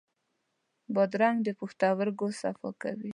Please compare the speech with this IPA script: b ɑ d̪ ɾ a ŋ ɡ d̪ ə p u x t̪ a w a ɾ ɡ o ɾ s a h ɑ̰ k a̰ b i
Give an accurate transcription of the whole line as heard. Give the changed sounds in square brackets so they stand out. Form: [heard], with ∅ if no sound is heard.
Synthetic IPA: b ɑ d̪ ɾ a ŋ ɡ d̪ ə p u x t̪ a w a ɾ ɡ o [∅] s a [f] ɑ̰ k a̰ [w] i